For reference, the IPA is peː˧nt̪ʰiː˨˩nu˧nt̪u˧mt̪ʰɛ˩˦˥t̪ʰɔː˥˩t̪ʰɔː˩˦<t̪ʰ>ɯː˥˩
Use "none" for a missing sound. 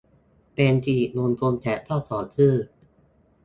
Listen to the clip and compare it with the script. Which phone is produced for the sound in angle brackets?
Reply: t̪ʰ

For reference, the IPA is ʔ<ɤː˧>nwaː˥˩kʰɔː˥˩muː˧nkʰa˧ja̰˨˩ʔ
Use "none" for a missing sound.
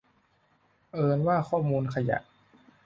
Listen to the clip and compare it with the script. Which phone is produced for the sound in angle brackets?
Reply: ɤː˧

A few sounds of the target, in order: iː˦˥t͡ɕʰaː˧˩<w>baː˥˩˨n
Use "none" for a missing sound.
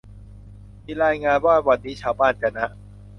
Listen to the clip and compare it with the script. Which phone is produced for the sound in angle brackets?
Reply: w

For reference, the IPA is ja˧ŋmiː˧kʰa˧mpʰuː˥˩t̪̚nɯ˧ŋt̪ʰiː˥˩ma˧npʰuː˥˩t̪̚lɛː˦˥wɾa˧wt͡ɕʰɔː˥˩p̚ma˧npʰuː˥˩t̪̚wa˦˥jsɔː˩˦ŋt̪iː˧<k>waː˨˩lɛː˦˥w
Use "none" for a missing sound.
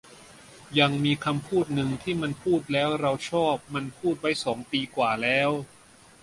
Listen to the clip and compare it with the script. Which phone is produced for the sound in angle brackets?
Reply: k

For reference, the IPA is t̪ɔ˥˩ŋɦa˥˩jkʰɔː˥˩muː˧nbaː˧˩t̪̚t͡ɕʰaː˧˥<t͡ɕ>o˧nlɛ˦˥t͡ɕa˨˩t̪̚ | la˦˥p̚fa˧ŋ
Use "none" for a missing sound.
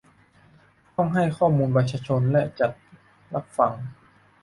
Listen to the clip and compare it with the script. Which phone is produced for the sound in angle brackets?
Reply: t͡ɕʰ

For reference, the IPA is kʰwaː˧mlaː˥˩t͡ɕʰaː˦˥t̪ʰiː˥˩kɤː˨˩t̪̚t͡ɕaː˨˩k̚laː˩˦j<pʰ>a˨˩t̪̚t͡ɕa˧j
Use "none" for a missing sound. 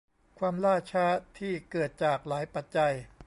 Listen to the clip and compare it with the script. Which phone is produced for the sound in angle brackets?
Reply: p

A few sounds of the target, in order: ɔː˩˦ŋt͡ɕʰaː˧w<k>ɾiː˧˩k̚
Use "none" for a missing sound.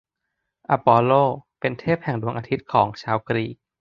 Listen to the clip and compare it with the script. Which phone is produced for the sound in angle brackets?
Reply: k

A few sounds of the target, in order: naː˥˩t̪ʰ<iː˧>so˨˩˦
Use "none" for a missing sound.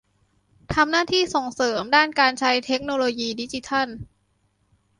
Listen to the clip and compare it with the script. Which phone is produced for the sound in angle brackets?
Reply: iː˥˩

